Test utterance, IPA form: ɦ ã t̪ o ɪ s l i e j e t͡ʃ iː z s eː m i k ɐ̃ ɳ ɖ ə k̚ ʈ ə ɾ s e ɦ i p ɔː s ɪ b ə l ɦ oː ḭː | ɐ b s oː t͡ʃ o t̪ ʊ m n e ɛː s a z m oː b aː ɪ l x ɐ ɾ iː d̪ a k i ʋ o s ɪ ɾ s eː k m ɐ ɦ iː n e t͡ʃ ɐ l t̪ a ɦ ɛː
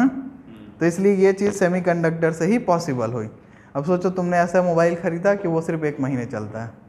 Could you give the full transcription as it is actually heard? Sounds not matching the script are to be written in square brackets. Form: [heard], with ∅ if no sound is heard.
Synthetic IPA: ɦ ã t̪ o ɪ s l i e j e t͡ʃ iː z s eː m i k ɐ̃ ɳ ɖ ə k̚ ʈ ə ɾ s e ɦ i p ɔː s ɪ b ə l ɦ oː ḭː | ɐ b s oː t͡ʃ o t̪ ʊ m n e ɛː s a [∅] m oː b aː ɪ l x ɐ ɾ iː d̪ a k i ʋ o s ɪ ɾ [f] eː k m ɐ ɦ iː n e t͡ʃ ɐ l t̪ a ɦ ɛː